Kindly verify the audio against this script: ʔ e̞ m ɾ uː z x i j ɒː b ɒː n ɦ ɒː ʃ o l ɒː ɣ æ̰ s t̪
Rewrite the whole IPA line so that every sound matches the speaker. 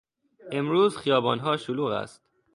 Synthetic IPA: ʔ e̞ m ɾ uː z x i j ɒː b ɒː n ɦ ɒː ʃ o l uː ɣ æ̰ s t̪